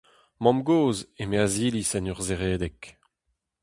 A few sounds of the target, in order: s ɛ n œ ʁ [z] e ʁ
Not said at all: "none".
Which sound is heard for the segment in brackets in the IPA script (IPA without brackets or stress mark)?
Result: z